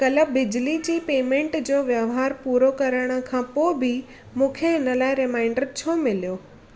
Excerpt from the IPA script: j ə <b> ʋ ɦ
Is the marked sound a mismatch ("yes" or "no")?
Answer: yes